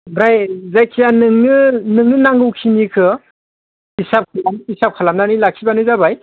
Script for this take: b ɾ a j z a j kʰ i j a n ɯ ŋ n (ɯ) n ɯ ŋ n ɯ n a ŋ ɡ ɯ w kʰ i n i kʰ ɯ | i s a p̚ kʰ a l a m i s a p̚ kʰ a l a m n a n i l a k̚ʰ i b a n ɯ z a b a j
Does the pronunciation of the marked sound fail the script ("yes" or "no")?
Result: no